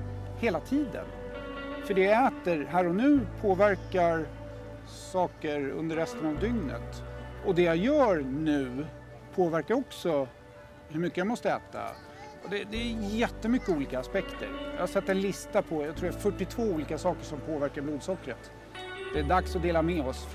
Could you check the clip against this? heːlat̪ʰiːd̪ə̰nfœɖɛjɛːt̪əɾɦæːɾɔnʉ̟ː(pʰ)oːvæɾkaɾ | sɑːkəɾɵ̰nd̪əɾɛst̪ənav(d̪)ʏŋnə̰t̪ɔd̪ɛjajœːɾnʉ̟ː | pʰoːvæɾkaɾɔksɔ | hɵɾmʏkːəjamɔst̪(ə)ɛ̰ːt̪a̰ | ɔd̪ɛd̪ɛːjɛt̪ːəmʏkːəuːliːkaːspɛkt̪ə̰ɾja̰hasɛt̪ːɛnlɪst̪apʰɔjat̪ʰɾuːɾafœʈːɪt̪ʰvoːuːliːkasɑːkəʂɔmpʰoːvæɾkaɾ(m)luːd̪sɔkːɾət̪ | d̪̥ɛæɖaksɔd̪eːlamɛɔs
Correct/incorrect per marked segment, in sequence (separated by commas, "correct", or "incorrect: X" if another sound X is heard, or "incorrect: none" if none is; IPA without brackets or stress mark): correct, correct, correct, incorrect: b